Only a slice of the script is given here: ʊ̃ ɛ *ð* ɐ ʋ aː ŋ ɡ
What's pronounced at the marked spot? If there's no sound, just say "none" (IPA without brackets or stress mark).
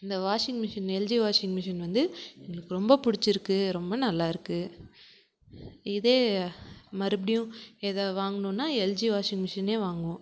ð